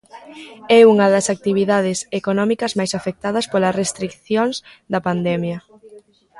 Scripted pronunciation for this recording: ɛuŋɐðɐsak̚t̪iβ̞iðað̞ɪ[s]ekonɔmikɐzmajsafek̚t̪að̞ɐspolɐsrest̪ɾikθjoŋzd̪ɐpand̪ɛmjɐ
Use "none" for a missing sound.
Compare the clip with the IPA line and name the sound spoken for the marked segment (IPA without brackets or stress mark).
s